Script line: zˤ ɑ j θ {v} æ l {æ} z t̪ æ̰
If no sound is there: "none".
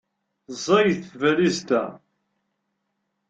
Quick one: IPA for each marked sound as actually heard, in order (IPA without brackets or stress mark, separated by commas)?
v, i